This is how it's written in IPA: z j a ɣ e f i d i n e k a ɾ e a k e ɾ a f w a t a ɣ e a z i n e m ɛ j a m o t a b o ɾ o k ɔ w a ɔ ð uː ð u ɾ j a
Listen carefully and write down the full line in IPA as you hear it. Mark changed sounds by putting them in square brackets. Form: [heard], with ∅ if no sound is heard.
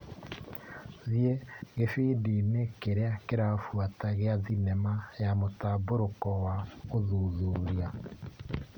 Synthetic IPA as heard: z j [e] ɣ e f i d i n e k [e] ɾ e a k e ɾ a f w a t a ɣ e a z i n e m [a] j a m o t a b o ɾ o k ɔ w a [o] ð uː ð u ɾ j a